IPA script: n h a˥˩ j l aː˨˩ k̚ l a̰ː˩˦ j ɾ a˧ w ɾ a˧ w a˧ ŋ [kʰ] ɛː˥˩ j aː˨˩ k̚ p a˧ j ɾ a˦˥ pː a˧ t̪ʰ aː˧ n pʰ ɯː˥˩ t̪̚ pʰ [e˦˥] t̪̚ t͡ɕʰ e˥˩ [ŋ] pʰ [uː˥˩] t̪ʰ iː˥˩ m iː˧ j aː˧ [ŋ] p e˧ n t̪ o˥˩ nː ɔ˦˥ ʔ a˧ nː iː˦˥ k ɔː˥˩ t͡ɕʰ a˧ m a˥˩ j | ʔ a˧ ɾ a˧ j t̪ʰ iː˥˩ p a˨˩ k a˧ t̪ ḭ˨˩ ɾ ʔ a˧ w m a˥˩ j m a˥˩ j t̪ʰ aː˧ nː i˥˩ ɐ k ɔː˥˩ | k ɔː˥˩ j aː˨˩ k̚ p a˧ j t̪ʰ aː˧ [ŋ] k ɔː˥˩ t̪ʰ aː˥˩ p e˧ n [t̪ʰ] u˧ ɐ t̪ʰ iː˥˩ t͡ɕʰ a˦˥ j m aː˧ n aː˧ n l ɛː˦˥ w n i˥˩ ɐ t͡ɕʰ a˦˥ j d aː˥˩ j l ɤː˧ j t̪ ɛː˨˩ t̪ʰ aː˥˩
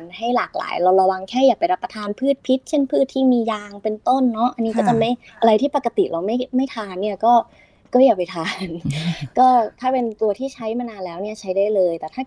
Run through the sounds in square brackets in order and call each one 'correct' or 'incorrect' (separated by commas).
correct, incorrect, incorrect, incorrect, correct, incorrect, incorrect